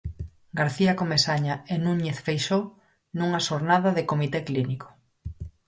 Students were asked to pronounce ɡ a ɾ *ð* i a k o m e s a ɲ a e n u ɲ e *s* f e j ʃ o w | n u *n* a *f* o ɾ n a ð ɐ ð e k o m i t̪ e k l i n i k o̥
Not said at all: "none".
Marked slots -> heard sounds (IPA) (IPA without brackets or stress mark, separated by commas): θ, θ, ŋ, ʃ